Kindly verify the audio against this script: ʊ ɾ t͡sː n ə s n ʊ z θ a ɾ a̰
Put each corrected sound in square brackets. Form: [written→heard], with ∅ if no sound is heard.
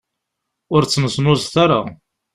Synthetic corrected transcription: ʊ ɾ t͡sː n ə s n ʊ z θ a ɾ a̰